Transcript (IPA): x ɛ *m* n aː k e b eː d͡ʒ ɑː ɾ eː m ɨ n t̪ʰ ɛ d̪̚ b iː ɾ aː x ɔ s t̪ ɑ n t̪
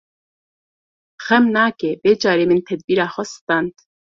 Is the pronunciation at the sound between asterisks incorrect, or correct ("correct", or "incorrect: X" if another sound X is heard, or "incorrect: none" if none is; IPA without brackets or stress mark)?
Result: correct